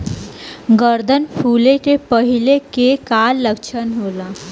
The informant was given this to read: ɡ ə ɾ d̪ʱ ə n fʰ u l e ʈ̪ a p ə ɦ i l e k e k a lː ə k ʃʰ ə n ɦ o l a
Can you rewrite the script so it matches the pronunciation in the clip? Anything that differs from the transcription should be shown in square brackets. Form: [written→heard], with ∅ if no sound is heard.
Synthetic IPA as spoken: ɡ ə ɾ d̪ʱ ə n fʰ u l e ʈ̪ [a→e] p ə ɦ i l e k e k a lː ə k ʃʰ ə n ɦ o l a